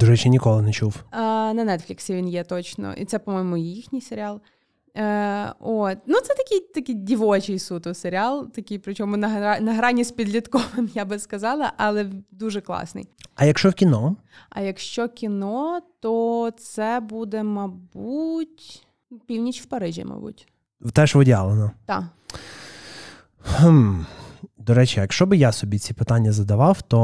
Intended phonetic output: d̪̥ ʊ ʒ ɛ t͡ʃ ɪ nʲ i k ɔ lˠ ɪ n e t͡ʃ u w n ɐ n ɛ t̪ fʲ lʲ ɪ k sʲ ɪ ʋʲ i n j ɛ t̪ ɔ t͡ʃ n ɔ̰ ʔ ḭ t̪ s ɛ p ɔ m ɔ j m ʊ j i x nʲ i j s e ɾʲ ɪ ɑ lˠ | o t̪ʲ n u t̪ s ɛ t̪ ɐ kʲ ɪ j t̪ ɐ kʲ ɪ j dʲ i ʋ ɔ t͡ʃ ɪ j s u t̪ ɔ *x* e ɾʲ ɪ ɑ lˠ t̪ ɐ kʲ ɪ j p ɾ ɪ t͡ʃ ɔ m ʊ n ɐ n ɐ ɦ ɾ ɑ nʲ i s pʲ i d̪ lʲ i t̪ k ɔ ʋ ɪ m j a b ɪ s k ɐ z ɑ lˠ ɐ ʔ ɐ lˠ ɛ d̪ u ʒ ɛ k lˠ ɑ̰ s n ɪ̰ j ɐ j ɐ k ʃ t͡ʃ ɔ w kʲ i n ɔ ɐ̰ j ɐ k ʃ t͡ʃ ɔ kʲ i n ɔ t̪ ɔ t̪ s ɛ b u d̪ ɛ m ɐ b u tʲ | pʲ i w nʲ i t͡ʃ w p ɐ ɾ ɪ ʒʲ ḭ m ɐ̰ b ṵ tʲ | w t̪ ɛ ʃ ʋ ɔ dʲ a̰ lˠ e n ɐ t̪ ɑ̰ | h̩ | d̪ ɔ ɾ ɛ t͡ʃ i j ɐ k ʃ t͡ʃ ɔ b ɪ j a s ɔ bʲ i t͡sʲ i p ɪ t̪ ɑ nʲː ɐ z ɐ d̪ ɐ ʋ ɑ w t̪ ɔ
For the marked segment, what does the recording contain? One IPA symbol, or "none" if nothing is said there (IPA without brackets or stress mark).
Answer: s